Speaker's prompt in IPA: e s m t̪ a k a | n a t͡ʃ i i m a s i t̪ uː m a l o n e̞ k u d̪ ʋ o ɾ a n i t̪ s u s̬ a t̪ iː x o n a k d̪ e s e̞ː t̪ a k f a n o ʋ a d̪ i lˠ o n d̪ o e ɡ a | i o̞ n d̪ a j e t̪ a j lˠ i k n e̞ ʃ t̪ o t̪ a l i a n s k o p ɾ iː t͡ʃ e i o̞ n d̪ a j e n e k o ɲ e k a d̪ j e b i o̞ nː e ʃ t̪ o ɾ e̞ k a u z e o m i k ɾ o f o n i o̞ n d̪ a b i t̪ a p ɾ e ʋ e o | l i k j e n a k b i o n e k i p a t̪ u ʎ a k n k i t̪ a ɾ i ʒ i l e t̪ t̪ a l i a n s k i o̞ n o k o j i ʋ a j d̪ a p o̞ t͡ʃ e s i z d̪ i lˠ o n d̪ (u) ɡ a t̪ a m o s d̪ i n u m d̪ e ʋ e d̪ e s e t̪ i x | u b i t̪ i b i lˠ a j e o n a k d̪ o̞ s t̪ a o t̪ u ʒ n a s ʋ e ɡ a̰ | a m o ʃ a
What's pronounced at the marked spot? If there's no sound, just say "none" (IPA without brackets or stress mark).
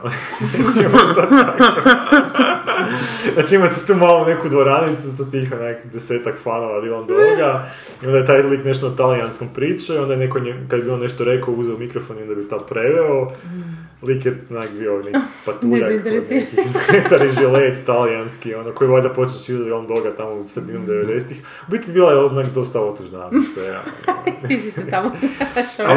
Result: o